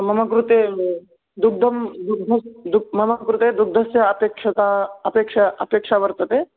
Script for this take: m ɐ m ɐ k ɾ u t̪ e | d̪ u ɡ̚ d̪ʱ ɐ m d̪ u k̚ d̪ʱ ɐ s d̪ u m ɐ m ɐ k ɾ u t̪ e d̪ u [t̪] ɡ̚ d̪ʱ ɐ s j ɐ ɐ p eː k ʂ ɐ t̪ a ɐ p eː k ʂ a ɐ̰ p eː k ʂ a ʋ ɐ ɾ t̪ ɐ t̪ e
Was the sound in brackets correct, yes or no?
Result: no